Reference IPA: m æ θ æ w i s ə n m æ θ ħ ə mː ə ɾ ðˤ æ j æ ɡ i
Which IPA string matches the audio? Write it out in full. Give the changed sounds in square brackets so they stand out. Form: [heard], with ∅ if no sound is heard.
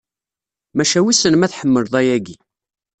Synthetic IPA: m æ [ʃ] æ w i s ə n m æ θ ħ ə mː ə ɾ ðˤ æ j æ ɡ i